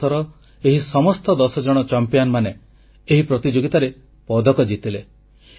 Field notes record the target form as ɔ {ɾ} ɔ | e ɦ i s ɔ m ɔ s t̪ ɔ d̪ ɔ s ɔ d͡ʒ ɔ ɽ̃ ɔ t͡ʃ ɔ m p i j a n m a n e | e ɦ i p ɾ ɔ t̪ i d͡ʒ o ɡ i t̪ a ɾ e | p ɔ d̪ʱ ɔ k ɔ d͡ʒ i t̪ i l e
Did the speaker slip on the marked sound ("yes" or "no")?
no